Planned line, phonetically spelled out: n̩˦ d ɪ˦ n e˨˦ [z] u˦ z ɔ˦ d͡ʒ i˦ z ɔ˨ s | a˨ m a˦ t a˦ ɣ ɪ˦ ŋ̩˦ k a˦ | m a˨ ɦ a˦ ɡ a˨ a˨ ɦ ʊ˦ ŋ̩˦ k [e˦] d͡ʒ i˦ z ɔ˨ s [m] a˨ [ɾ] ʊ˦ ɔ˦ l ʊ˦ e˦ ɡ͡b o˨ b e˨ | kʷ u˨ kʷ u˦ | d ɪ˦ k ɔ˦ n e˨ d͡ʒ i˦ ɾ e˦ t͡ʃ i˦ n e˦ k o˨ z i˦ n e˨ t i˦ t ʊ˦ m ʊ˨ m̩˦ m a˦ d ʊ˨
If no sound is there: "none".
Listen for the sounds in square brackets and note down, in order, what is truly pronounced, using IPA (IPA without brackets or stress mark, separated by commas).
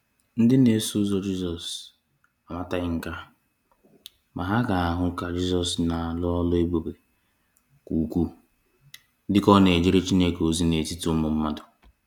s, a˦, n, l